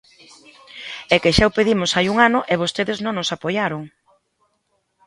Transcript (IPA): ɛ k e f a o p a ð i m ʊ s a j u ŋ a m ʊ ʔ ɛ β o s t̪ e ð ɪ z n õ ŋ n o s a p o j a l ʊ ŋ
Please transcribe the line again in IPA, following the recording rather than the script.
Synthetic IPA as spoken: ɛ k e ʃ a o p e ð i m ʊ s a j u ŋ a n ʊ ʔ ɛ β o s t̪ e ð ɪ z n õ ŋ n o s a p o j a ɾ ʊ ŋ